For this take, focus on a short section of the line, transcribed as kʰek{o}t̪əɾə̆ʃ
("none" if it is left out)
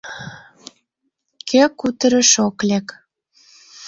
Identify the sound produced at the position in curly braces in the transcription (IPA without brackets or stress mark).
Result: u